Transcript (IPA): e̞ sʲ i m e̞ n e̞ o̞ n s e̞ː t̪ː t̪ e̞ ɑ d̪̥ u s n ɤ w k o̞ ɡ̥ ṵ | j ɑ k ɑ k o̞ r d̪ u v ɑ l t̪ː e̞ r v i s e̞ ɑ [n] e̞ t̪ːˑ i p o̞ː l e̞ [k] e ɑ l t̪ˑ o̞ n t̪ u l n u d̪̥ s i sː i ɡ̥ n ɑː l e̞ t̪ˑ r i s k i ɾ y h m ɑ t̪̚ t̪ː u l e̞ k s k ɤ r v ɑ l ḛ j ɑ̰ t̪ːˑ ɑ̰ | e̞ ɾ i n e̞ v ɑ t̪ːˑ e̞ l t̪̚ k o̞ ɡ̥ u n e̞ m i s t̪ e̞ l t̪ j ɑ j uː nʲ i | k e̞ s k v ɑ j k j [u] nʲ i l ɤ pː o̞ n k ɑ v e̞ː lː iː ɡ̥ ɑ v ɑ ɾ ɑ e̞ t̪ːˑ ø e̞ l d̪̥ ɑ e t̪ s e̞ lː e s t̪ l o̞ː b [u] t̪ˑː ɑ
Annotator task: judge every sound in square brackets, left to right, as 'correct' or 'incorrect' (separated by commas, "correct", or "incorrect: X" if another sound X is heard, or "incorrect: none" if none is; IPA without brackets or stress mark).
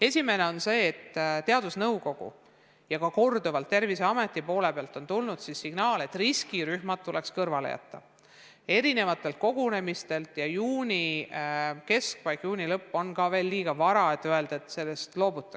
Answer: incorrect: m, incorrect: p, incorrect: uː, correct